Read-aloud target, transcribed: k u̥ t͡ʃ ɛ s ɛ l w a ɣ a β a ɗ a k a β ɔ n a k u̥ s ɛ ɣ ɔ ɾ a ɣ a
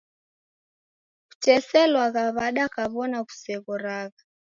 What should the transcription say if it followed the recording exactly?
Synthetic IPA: k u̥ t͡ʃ ɛ s ɛ l w a ɣ a β a ɗ a k a β ɔ n a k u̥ s ɛ ɣ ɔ ɾ a ɣ a